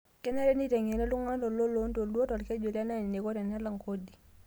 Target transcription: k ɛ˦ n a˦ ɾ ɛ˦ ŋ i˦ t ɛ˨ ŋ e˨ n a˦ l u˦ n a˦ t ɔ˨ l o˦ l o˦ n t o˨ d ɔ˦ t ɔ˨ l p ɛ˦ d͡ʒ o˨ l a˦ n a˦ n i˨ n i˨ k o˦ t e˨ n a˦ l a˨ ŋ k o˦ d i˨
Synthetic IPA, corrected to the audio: k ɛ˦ n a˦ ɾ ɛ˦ n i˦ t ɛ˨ ŋ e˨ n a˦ l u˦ ŋ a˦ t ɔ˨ l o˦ l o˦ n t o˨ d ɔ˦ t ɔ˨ l k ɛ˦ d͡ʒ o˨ l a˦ n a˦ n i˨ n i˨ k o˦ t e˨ n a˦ l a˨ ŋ k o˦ d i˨